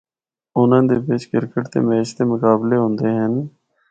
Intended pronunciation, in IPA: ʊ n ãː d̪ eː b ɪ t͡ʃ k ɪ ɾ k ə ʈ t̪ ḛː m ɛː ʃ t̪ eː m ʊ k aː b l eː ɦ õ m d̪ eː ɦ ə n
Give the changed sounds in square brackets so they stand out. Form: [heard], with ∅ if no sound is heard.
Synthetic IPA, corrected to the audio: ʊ n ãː d̪ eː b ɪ t͡ʃ k ɪ ɾ k ə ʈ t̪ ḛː m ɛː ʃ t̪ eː m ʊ k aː b l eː ɦ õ [n] d̪ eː ɦ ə n